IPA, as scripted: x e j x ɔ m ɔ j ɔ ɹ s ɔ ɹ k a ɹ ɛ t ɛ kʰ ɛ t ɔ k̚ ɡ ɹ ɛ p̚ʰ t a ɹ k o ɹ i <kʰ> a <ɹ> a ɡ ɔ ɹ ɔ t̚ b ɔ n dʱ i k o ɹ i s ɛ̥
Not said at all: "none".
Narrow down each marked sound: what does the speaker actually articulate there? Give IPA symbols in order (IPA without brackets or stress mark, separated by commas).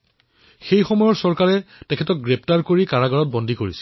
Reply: k, ɹ